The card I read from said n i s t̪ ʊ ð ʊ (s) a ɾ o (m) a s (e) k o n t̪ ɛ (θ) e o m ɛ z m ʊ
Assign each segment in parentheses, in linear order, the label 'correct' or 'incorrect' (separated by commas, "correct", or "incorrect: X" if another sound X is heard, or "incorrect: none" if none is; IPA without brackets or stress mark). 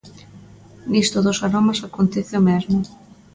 correct, correct, incorrect: a, correct